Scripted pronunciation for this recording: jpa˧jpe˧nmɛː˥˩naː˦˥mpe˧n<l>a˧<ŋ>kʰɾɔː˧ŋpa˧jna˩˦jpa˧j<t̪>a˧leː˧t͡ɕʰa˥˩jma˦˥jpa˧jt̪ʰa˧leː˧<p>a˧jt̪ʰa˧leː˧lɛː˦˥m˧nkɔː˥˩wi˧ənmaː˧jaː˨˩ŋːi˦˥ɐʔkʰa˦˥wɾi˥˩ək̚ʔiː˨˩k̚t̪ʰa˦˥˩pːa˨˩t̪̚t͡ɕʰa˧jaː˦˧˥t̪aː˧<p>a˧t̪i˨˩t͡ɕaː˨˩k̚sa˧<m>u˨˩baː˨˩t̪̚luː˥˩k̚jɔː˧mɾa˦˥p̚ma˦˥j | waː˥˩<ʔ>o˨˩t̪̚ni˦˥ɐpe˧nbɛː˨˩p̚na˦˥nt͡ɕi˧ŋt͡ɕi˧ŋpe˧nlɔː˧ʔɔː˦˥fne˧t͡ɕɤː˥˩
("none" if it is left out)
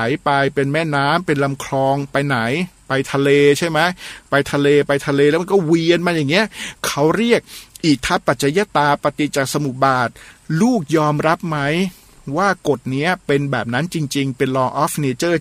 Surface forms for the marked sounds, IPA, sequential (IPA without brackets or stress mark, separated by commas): l, m, t̪ʰ, p, p, m, k